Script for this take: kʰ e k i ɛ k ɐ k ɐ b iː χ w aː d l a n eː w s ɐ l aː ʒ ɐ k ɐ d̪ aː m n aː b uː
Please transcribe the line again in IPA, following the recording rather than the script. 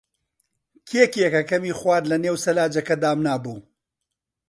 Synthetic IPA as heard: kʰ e k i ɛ k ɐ k ɐ m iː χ w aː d l ɐ n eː w s ɐ l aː d͡ʒ ɐ k ɐ d̪ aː m n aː b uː